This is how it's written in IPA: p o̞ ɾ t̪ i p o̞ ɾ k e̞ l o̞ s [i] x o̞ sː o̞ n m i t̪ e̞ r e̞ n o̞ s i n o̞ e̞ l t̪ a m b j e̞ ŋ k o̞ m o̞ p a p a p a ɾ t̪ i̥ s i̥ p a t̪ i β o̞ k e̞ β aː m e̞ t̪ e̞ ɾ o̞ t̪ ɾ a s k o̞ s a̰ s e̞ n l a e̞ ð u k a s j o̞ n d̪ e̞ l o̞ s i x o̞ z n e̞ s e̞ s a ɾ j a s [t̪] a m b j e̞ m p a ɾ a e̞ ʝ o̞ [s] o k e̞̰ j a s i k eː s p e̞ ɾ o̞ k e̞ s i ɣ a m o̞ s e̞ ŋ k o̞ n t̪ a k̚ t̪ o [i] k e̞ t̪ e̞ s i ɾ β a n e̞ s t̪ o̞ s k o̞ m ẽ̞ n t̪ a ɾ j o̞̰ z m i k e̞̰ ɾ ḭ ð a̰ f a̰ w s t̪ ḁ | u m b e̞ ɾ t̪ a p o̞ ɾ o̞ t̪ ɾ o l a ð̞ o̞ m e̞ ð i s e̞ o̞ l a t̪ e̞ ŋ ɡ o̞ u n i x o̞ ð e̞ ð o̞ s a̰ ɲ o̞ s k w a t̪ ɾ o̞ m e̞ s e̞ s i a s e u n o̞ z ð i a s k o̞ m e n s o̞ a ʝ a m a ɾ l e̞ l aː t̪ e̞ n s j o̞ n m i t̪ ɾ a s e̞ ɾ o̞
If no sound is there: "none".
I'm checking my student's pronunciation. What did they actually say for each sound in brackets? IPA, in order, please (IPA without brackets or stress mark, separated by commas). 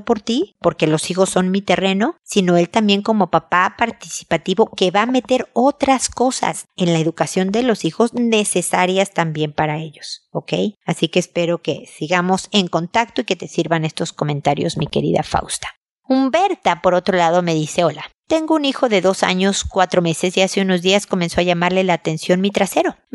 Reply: i, t̪, s, i